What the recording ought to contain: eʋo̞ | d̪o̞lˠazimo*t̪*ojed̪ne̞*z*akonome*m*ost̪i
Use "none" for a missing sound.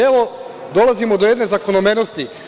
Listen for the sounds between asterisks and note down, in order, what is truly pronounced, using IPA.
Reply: d̪, z, n

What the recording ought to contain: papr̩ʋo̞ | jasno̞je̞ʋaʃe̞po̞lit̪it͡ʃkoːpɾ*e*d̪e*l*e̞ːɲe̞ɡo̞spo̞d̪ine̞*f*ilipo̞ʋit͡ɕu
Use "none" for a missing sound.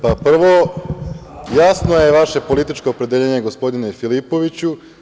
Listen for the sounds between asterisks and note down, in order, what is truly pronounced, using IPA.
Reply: e, ʎ, f

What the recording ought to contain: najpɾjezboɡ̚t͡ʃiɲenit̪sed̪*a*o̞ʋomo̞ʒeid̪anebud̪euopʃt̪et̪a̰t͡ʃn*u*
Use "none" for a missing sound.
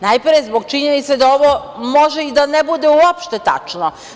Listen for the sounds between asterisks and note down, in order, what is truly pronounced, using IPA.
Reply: a, o

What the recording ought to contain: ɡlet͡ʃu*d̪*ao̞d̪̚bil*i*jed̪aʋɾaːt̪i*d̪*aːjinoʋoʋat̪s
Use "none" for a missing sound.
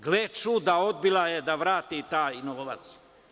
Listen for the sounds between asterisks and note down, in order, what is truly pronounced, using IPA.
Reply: d̪, a, t̪

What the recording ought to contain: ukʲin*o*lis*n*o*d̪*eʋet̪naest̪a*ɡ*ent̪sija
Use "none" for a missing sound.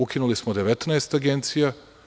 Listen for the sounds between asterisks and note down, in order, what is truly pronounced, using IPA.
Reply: u, m, d̪, ɡ

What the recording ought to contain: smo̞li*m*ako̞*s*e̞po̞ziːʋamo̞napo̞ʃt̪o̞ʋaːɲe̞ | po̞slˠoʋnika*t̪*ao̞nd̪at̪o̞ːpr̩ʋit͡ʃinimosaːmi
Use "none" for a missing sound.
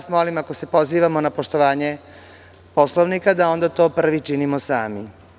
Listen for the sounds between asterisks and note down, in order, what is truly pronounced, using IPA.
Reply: m, s, d̪

